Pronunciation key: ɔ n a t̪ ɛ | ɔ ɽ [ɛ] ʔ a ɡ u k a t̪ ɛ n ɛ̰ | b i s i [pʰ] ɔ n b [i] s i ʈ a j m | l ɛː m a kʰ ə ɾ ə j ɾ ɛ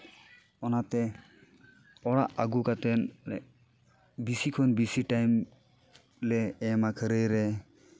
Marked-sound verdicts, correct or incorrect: incorrect, incorrect, correct

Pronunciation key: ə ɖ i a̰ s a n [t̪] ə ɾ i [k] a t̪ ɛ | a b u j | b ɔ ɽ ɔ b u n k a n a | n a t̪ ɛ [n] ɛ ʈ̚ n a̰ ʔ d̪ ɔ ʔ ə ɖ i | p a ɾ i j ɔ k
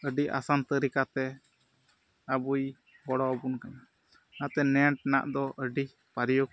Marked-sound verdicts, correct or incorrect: correct, correct, correct

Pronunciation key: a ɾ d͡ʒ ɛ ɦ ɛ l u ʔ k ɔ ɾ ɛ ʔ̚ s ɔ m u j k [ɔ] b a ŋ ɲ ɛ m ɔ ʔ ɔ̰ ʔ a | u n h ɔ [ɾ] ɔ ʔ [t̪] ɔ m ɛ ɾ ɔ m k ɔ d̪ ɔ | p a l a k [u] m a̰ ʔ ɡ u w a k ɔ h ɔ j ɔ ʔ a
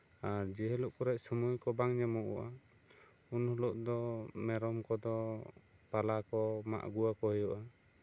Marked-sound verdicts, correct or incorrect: correct, incorrect, incorrect, incorrect

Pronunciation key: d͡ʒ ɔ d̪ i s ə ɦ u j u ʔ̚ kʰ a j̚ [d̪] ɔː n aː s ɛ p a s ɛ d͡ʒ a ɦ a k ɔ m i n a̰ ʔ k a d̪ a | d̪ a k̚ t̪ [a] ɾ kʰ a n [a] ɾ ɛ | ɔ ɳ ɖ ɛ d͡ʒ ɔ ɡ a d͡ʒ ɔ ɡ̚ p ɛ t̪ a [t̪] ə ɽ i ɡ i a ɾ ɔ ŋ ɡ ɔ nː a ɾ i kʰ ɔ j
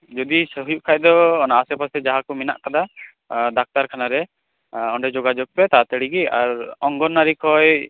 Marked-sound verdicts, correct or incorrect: correct, correct, correct, correct

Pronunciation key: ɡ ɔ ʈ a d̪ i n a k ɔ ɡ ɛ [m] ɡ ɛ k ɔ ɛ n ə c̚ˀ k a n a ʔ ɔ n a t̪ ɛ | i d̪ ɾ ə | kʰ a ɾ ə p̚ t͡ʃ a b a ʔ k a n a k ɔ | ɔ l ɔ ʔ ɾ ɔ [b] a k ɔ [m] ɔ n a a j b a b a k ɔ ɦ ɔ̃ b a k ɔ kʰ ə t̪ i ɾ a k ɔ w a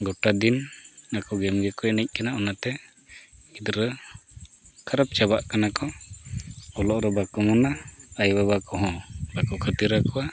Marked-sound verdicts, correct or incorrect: correct, correct, correct

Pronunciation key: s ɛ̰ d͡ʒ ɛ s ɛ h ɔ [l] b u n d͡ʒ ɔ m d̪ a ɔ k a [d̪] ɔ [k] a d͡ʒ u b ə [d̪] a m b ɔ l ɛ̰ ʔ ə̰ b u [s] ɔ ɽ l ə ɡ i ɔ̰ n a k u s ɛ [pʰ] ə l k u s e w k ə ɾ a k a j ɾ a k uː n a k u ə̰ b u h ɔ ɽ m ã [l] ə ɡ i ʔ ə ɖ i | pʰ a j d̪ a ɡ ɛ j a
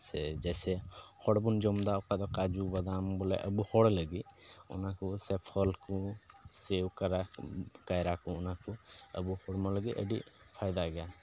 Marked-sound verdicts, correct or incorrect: incorrect, correct, correct, correct, incorrect, correct, correct

